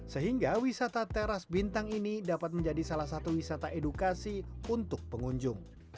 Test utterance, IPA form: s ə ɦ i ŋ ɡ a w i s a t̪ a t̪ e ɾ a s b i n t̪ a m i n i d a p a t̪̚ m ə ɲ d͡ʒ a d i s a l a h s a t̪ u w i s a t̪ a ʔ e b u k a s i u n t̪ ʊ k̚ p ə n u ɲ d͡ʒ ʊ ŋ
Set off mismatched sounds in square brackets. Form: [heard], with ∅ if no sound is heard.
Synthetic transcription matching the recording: s ə ɦ i ŋ ɡ a w i s a t̪ a t̪ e ɾ a s b i n t̪ a [ŋ] i n i d a p a t̪̚ m ə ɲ d͡ʒ a d i s a l a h s a t̪ u w i s a t̪ a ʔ e [d] u k a s i u n t̪ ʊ k̚ p ə [ŋ] u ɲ d͡ʒ ʊ ŋ